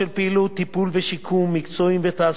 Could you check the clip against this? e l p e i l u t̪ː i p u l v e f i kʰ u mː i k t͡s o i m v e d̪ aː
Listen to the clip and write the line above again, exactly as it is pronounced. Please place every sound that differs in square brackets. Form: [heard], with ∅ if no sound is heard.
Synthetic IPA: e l p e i l u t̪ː i p u l v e [ʃ] i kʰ u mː i k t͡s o i m v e [t̪] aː